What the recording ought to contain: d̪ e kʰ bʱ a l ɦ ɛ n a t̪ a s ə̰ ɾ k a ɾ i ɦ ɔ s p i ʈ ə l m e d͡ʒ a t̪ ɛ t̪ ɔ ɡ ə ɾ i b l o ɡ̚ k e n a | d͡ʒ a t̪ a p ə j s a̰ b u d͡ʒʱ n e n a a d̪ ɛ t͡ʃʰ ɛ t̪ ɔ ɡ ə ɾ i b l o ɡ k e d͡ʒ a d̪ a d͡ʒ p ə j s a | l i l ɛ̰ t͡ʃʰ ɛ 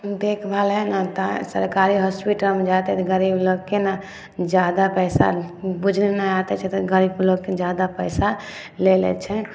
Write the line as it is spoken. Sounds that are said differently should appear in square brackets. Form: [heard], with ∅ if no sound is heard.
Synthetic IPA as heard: d̪ e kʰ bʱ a l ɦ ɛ n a t̪ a s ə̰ ɾ k a ɾ i ɦ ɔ s p i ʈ ə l m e d͡ʒ a t̪ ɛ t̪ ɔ ɡ ə ɾ i b l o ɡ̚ k e n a | d͡ʒ a [d̪] a p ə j s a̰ b u d͡ʒʱ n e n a a [t̪] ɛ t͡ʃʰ ɛ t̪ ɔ ɡ ə ɾ i b l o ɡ k e d͡ʒ a d̪ a [∅] p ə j s a | l [e] l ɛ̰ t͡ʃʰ ɛ